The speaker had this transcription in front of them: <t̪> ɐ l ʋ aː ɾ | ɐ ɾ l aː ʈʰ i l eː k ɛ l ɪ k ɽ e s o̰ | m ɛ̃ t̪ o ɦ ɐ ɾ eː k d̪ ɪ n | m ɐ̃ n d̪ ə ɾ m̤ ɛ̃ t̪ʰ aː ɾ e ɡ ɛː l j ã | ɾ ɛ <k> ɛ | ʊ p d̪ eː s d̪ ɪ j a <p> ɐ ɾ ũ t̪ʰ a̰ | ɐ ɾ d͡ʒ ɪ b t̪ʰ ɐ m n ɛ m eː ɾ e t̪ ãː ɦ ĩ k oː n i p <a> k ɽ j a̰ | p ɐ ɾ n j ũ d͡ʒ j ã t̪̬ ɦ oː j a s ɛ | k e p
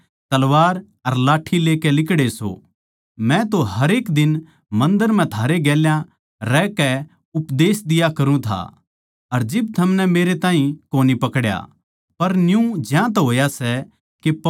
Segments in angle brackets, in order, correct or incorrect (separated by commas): correct, correct, incorrect, incorrect